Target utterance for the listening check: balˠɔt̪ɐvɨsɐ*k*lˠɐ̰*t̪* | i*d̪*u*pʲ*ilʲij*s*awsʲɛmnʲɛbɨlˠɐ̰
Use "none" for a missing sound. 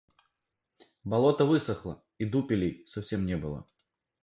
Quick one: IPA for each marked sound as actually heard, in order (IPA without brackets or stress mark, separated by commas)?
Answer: x, none, d̪, pʲ, s